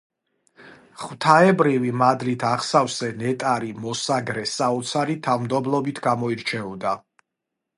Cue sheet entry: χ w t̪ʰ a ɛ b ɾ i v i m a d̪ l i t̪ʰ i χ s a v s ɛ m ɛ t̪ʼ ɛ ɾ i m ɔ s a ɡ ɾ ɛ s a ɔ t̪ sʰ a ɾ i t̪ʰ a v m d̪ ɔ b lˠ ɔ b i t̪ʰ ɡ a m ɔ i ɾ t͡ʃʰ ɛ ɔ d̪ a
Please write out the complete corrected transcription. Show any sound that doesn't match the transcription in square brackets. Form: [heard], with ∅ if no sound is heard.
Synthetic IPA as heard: χ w t̪ʰ a ɛ b ɾ i v i m a d̪ l i t̪ʰ [a] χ s a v s ɛ [n] ɛ t̪ʼ [a] ɾ i m ɔ s a ɡ ɾ ɛ s a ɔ t̪ sʰ a ɾ i t̪ʰ a v m d̪ ɔ b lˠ ɔ b i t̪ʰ ɡ a m ɔ i ɾ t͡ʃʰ ɛ ɔ d̪ a